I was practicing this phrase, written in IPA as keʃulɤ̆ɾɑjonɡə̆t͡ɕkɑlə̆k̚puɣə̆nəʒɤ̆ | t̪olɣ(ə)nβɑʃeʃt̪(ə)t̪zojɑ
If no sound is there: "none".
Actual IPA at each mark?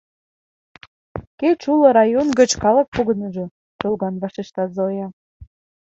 ɑ, ɑ

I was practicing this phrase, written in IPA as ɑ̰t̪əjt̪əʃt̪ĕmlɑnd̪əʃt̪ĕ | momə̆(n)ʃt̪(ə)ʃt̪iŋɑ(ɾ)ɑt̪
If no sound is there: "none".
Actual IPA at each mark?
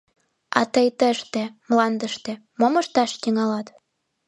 none, ɑ, l

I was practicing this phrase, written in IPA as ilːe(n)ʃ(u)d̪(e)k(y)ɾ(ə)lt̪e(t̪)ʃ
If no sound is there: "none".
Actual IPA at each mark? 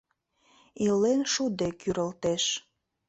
n, u, e, y, ə, none

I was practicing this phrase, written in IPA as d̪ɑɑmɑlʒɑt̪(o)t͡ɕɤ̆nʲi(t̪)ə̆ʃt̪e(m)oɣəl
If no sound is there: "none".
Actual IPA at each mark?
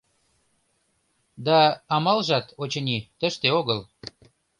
o, t̪, none

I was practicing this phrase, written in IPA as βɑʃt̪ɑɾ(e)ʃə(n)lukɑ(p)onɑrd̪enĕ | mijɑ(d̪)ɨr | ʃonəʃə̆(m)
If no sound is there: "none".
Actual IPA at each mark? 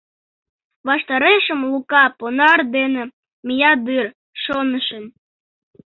e, m, p, d̪, n

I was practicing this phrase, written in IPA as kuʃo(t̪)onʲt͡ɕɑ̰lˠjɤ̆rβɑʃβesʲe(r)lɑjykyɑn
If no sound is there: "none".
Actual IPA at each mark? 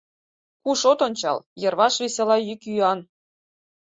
t̪, none

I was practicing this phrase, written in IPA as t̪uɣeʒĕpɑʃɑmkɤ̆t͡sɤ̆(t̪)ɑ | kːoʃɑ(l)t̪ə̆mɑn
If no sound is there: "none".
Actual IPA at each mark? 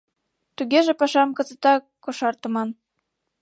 t̪, r

